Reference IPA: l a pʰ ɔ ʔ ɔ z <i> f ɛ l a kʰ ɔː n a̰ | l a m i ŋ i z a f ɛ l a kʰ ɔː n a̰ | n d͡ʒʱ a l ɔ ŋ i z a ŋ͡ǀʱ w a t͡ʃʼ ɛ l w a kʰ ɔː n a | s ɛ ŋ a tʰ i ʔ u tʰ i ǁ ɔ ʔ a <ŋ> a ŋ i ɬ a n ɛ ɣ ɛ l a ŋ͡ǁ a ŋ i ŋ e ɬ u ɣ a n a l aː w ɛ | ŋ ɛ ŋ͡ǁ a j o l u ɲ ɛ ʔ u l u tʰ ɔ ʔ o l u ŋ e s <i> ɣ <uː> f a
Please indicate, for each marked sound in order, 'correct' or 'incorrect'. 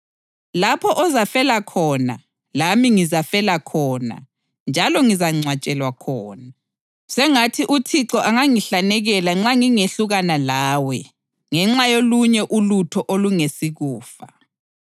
incorrect: a, correct, correct, correct

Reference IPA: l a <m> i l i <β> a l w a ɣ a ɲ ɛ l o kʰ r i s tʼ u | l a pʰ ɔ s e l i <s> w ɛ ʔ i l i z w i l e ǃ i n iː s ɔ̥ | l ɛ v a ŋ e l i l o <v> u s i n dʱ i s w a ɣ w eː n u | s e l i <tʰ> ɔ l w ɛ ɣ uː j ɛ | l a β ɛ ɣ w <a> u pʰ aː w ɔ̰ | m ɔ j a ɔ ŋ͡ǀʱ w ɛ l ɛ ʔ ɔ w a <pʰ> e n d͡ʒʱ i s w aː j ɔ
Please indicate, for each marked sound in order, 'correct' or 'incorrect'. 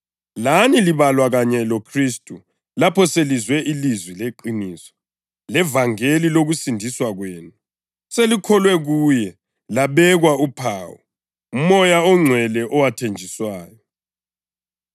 incorrect: n, correct, incorrect: z, incorrect: ɣ, incorrect: kʰ, correct, incorrect: tʰ

